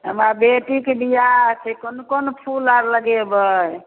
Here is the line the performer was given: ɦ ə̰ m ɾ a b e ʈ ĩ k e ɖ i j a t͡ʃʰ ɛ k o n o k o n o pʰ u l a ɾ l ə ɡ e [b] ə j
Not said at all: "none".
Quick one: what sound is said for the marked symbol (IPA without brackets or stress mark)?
b